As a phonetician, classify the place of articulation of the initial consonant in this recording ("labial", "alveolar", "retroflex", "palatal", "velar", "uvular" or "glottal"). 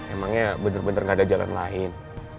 labial